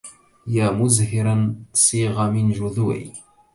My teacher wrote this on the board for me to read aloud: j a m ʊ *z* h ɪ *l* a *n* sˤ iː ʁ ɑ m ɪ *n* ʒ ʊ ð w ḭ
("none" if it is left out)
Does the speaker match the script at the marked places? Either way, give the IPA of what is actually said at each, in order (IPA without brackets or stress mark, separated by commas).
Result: z, ɾ, n, n